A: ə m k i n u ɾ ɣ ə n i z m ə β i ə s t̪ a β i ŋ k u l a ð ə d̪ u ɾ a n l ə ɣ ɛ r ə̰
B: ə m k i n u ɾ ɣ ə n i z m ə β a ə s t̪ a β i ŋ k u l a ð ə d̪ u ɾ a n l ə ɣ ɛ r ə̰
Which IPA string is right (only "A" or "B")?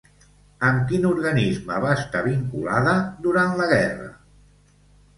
B